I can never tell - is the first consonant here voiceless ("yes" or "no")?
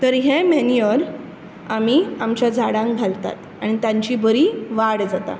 yes